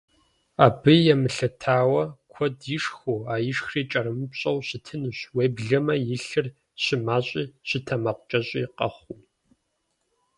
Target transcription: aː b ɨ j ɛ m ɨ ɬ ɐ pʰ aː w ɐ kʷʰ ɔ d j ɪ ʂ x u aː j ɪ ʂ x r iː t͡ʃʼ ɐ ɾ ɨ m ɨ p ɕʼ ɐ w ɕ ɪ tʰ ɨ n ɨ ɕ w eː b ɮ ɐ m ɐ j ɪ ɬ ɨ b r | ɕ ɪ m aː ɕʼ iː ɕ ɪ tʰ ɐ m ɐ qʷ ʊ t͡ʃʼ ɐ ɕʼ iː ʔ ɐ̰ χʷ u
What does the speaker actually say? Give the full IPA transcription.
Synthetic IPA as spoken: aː b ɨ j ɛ m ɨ ɬ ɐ tʰ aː w ɐ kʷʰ ɔ d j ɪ ʂ x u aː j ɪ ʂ x r iː t͡ʃʼ ɐ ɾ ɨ m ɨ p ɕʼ ɐ w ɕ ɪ tʰ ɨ n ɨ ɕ w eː b ɮ ɐ m ɐ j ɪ ɬ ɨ r | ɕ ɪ m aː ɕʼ iː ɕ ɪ tʰ ɐ m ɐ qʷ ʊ t͡ʃʼ ɐ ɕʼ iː q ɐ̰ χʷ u